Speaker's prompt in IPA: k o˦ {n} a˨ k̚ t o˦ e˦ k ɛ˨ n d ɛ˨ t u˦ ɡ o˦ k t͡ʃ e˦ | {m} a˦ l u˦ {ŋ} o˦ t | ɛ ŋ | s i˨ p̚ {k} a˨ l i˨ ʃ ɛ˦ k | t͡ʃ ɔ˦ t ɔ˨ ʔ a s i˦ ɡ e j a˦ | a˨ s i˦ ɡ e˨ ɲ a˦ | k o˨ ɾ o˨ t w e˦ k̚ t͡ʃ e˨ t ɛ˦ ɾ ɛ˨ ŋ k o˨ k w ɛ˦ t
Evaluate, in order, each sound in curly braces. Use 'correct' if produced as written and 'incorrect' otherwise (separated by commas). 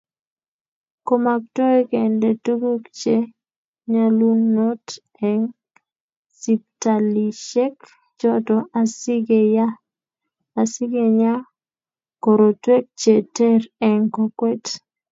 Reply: incorrect, incorrect, incorrect, incorrect